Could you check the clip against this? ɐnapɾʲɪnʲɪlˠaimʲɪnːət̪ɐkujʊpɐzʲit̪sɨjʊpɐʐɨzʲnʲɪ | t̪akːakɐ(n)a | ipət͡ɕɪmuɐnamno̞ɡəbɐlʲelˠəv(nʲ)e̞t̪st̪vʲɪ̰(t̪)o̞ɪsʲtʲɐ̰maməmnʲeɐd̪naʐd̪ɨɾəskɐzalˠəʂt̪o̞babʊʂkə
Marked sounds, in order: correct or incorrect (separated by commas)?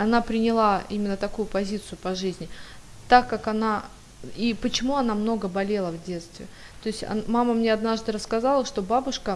correct, incorrect, correct